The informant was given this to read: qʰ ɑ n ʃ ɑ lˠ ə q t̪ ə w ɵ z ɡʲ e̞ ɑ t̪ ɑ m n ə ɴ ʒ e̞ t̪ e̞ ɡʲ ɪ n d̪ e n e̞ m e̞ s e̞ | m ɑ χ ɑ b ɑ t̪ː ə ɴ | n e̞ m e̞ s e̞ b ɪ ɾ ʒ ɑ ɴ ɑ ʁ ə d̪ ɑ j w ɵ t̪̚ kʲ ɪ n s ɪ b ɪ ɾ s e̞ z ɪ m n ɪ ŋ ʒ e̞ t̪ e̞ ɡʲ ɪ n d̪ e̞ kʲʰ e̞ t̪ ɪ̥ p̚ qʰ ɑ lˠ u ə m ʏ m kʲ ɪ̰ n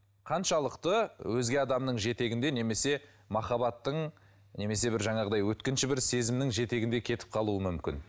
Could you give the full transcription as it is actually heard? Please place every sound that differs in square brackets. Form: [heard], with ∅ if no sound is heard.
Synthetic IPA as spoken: qʰ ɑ n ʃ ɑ lˠ ə q t̪ ə w ɵ z ɡʲ e̞ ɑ [d̪] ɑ m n ə ɴ ʒ e̞ t̪ e̞ ɡʲ ɪ n d̪ e n e̞ m e̞ s e̞ | m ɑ χ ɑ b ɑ t̪ː ə ɴ | n e̞ m e̞ s e̞ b ɪ ɾ ʒ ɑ ɴ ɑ ʁ ə d̪ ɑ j w ɵ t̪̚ kʲ ɪ n [ʃ] ɪ b ɪ ɾ s e̞ z ɪ m n ɪ ŋ ʒ e̞ t̪ e̞ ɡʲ ɪ n d̪ e̞ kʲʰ e̞ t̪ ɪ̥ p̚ qʰ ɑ lˠ u ə m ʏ m kʲ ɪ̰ n

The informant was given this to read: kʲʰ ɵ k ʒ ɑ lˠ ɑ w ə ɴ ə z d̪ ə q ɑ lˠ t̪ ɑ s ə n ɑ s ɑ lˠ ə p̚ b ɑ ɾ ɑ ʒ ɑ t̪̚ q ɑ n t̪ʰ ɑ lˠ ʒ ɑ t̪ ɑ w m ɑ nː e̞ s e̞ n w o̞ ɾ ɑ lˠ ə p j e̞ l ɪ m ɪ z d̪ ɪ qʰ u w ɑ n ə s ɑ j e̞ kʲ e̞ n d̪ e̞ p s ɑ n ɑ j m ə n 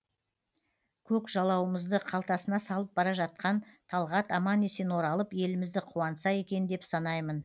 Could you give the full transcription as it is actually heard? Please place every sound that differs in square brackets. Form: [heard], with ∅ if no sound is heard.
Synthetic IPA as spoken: kʲʰ ɵ k ʒ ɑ lˠ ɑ w ə [m] ə z d̪ ə [qʰ] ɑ lˠ t̪ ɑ s ə n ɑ s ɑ lˠ ə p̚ b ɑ ɾ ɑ ʒ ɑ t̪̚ q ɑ n t̪ʰ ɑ lˠ [ʁ] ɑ t̪ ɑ [∅] m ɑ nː e̞ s e̞ n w o̞ ɾ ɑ lˠ ə p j e̞ l ɪ m ɪ z d̪ ɪ qʰ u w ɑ n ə s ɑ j e̞ kʲ e̞ n d̪ e̞ p s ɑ n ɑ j m ə n

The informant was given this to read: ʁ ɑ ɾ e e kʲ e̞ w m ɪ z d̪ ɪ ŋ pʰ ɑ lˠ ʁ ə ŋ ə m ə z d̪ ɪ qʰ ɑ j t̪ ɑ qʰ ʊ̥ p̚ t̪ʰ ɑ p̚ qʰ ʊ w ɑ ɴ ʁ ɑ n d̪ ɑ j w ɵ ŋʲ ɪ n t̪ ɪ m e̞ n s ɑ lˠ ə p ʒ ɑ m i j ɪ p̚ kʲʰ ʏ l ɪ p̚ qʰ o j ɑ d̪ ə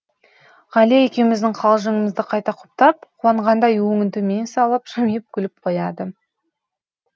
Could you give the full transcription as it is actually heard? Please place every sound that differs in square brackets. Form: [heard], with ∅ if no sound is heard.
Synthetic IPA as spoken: ʁ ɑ [l] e e kʲ e̞ w m ɪ z d̪ ɪ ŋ [qʰ] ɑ lˠ [ʒ] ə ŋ ə m ə z d̪ ɪ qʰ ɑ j t̪ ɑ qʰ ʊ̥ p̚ [t̪] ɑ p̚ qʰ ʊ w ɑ ɴ ʁ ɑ n d̪ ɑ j w ɵ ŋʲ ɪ n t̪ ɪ m e̞ n s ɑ lˠ ə p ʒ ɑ m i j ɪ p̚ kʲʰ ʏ l ɪ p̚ qʰ o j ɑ d̪ ə

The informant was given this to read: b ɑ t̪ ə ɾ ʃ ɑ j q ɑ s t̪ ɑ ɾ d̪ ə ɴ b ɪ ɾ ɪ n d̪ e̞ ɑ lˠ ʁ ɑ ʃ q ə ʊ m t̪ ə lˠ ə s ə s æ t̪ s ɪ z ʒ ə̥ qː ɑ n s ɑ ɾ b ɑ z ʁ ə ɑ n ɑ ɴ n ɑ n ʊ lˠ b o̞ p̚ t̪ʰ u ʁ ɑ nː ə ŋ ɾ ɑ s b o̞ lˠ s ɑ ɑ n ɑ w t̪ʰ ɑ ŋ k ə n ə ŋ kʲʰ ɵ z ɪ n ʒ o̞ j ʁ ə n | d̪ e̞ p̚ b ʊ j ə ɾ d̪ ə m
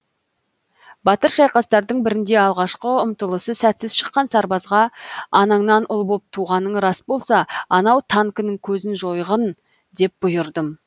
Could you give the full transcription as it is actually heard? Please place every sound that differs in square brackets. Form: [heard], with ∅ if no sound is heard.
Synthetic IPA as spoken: b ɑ t̪ ə ɾ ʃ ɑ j q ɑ s t̪ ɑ ɾ d̪ ə ɴ b ɪ ɾ ɪ n d̪ e̞ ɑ lˠ ʁ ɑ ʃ q ə ʊ m t̪ ə lˠ ə s ə s æ t̪ s ɪ z [ʃ] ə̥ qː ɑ n s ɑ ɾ b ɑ z ʁ [ɑ] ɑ n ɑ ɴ n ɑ n ʊ lˠ b o̞ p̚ t̪ʰ u ʁ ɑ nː ə [ɴ] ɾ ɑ s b o̞ lˠ s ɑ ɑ n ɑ w t̪ʰ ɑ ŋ k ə n ə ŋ kʲʰ ɵ z ɪ n ʒ o̞ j ʁ ə n | d̪ e̞ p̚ b ʊ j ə ɾ d̪ ə m

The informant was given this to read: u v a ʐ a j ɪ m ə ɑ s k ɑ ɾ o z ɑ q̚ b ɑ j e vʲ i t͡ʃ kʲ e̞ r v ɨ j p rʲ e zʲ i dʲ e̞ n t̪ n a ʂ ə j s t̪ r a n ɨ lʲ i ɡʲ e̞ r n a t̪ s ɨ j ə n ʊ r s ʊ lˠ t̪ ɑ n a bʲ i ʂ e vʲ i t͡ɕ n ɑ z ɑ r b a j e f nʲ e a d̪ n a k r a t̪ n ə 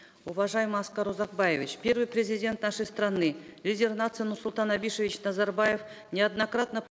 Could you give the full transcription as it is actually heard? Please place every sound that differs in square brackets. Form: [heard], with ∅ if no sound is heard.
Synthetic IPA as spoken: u v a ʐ a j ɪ m ə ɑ s k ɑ ɾ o z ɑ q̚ b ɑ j e vʲ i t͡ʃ [pʲ] e̞ r v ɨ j p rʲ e zʲ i dʲ e̞ n t̪ n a ʂ ə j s t̪ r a n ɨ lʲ i [dʲ] e̞ r n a t̪ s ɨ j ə n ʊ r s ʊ lˠ t̪ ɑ n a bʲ i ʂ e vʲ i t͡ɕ n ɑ z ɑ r b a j e f nʲ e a d̪ n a k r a t̪ n ə

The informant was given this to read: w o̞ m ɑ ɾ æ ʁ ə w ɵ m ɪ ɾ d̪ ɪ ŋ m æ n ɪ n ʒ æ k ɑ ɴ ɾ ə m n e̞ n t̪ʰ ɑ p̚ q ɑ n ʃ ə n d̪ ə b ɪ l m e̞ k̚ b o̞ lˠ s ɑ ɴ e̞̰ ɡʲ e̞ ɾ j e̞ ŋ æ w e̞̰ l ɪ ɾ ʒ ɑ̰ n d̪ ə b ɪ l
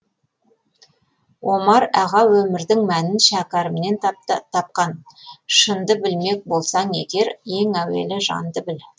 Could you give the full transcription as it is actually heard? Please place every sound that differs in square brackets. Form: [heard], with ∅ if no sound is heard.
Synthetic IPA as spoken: w o̞ m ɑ ɾ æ ʁ [ɑ] w ɵ m ɪ ɾ d̪ ɪ ŋ m æ n ɪ n [ʃ] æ k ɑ [∅] ɾ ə m n e̞ n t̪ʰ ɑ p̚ q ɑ n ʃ ə n d̪ ə b ɪ l m e̞ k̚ b o̞ lˠ s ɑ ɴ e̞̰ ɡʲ e̞ ɾ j e̞ ŋ æ w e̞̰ l ɪ [∅] ʒ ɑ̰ n d̪ ə b ɪ l

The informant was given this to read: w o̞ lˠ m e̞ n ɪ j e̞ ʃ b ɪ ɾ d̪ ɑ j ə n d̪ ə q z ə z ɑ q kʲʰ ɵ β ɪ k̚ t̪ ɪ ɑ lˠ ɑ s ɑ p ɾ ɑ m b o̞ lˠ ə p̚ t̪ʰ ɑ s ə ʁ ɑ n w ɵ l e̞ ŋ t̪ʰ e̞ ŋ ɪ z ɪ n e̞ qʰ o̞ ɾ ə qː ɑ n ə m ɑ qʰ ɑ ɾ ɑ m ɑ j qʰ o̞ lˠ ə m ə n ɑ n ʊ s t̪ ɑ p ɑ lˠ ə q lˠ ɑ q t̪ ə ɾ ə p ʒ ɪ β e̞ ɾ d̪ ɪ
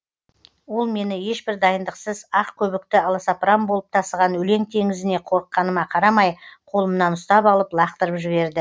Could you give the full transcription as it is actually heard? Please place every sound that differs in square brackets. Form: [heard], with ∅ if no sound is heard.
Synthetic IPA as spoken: w o̞ lˠ m e̞ n ɪ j e̞ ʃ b ɪ ɾ d̪ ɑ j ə n d̪ ə q [s] ə z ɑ q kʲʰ ɵ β ɪ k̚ t̪ ɪ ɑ lˠ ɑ s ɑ p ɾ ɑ m b o̞ lˠ ə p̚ t̪ʰ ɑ s ə ʁ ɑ n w ɵ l e̞ ŋ t̪ʰ e̞ ŋ ɪ z ɪ n e̞ qʰ o̞ ɾ ə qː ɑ n ə m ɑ qʰ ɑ ɾ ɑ m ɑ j qʰ o̞ lˠ ə m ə n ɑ n ʊ s t̪ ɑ p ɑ lˠ ə [p] lˠ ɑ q t̪ ə ɾ ə p ʒ ɪ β e̞ ɾ d̪ ɪ

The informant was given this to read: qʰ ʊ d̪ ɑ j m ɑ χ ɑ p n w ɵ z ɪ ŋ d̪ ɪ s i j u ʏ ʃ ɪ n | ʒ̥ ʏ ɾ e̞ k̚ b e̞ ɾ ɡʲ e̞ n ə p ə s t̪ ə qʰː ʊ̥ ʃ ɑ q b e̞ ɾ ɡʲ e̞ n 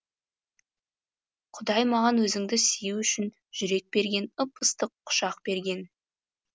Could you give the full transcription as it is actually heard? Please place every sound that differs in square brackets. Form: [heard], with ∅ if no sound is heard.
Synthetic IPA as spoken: qʰ ʊ d̪ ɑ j m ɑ [ʁ] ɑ [∅] n w ɵ z ɪ ŋ d̪ ɪ s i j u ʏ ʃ ɪ n | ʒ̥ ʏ ɾ e̞ k̚ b e̞ ɾ ɡʲ e̞ n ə p ə s t̪ ə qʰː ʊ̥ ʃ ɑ q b e̞ ɾ ɡʲ e̞ n

